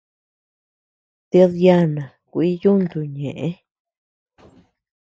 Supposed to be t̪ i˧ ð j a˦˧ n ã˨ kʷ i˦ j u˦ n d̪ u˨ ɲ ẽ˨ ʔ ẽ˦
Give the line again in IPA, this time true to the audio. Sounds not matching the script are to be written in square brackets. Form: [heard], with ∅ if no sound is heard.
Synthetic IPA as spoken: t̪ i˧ ð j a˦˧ n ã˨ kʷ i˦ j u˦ n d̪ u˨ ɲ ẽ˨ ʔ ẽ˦